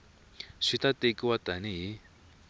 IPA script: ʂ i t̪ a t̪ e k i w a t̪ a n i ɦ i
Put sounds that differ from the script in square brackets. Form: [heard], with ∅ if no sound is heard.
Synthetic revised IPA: ʂ i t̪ a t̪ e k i w a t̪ a n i ɦ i